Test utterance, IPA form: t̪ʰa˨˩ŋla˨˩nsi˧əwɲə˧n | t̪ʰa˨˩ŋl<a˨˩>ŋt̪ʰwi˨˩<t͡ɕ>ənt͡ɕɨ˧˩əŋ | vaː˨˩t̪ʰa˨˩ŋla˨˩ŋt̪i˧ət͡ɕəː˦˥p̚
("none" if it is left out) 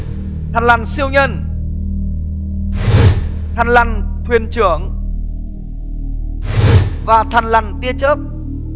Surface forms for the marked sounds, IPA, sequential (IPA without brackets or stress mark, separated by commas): a˨˩, none